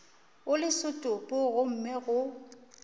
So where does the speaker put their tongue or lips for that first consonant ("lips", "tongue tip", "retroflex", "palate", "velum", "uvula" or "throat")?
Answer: tongue tip